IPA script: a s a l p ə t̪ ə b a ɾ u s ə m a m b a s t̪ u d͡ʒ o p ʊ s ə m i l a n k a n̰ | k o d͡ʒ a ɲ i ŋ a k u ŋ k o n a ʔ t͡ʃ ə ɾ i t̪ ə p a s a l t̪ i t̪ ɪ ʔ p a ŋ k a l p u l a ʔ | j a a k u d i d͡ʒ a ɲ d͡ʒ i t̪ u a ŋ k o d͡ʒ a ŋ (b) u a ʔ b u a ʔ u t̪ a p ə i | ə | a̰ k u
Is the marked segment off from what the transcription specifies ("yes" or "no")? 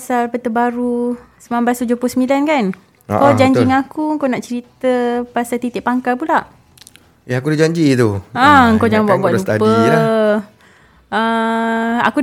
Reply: no